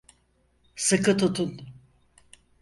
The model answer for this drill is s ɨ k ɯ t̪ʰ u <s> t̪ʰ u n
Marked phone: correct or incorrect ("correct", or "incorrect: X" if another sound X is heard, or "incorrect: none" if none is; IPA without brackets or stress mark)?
incorrect: none